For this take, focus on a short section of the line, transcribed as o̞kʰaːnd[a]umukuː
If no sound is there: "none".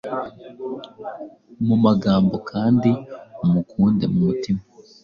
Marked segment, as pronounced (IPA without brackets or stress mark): i